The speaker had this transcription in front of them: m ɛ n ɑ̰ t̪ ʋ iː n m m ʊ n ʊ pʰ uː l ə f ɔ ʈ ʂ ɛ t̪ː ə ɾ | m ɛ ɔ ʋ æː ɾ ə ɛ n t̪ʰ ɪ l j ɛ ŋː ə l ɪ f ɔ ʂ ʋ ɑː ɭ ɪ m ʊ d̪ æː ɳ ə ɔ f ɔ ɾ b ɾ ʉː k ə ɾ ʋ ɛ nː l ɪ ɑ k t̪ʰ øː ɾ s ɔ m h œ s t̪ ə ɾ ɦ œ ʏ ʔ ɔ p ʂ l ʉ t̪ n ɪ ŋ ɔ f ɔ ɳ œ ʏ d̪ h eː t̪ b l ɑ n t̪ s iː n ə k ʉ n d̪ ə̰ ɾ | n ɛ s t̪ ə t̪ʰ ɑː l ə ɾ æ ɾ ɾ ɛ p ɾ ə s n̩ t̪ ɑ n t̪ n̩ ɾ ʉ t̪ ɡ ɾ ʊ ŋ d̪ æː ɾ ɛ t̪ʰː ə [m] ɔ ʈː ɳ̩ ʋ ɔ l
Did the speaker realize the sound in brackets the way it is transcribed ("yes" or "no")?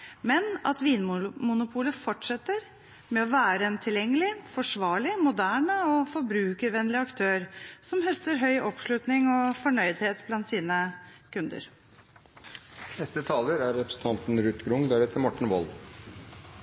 yes